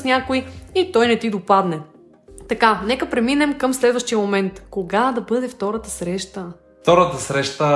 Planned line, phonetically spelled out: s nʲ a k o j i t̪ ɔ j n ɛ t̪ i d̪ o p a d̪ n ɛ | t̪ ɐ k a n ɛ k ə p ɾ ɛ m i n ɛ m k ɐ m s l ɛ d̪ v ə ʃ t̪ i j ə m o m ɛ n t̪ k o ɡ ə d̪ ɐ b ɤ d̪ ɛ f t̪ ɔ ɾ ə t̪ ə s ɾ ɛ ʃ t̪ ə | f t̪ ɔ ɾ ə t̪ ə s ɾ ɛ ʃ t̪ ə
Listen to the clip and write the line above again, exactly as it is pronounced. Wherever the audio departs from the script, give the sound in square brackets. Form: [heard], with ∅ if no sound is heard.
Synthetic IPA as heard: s nʲ a k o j i t̪ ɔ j n ɛ t̪ i d̪ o p a d̪ n ɛ | t̪ ɐ k a n ɛ k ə p ɾ ɛ m i n ɛ m k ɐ m s l ɛ d̪ v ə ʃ t̪ i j ə m o m ɛ n t̪ k o ɡ [a] d̪ ɐ b ɤ d̪ ɛ f t̪ ɔ ɾ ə t̪ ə s ɾ ɛ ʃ t̪ ə | f t̪ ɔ ɾ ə t̪ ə s ɾ ɛ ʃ t̪ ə